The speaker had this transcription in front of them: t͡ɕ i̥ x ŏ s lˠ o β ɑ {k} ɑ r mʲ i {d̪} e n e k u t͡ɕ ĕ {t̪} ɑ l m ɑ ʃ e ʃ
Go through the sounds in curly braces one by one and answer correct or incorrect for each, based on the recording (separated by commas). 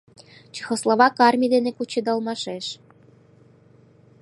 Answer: correct, correct, incorrect